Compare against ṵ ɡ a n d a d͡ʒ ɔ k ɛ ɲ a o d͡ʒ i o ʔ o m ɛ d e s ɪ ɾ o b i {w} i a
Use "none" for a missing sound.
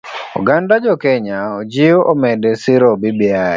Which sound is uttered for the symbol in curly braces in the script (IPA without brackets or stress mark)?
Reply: b